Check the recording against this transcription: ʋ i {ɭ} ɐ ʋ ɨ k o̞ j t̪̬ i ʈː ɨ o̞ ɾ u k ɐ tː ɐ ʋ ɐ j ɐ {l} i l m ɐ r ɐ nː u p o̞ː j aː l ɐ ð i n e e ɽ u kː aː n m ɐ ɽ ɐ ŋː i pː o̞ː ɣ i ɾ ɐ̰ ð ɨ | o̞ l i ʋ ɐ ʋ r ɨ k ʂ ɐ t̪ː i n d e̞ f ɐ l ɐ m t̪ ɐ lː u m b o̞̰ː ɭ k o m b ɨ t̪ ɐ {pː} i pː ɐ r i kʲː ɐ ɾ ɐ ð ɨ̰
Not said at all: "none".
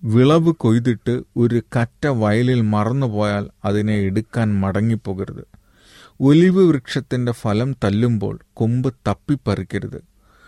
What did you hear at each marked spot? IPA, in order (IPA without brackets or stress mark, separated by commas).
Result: ɭ, l, pː